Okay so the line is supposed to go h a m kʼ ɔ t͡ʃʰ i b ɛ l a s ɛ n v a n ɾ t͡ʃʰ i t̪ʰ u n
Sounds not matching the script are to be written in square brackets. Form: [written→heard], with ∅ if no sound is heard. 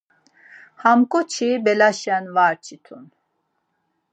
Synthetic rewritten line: h a m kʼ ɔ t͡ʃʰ i b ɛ l a [s→ʃ] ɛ n v a [n→∅] ɾ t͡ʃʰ i t̪ʰ u n